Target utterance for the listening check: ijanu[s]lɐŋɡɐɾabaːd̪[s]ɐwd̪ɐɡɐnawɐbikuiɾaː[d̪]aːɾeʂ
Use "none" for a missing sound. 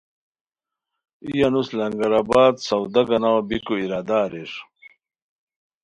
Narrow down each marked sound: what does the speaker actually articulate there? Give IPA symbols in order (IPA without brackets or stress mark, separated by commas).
s, s, d̪